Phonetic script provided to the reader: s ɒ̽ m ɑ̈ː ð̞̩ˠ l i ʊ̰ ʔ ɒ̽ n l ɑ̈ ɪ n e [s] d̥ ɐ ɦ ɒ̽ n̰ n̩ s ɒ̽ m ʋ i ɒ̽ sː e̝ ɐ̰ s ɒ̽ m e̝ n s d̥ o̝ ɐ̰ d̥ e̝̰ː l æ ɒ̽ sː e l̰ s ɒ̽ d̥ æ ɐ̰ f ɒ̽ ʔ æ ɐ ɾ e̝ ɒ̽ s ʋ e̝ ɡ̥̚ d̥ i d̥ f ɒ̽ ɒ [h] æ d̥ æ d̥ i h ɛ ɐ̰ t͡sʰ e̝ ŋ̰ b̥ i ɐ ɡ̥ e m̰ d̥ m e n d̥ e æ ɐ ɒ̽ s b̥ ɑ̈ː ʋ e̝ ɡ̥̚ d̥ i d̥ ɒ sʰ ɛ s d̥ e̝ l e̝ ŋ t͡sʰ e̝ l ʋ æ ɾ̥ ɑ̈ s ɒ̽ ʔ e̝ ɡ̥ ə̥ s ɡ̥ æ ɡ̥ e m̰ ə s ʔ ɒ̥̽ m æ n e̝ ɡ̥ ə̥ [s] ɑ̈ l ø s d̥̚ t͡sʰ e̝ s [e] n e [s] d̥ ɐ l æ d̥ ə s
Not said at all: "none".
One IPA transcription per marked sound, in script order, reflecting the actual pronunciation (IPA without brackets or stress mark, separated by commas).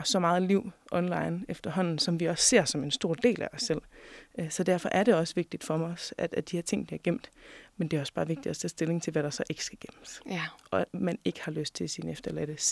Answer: f, s, h, i, f